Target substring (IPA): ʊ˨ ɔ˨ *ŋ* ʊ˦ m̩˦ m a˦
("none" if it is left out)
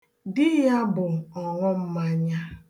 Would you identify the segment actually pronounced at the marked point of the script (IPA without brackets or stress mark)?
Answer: ŋ